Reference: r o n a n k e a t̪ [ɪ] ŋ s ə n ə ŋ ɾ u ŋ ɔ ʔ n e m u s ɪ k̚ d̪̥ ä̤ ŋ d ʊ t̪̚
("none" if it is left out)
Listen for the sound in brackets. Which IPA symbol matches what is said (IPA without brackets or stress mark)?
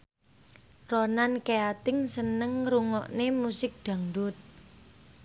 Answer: ɪ